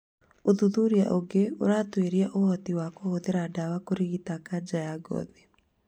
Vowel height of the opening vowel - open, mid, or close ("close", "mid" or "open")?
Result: mid